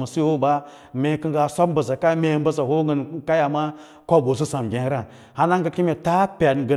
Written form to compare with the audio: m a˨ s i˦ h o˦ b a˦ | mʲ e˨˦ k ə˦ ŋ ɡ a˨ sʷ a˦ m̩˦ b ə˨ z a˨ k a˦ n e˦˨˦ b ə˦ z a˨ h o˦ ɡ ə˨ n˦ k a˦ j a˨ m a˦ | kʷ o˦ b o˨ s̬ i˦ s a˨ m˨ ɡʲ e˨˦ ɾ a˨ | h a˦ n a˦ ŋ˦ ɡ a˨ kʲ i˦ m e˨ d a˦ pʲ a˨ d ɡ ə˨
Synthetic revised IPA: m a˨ s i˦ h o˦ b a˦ | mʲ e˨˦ k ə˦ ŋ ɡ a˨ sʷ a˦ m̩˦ b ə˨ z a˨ k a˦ m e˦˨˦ b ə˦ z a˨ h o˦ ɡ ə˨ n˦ k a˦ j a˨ m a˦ | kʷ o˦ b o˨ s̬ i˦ s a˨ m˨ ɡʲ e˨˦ ɾ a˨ | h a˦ n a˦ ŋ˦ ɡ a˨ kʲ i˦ m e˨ t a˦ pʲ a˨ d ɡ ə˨